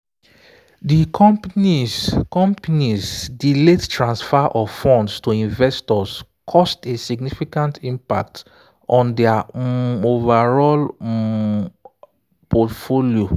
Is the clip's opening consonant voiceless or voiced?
voiced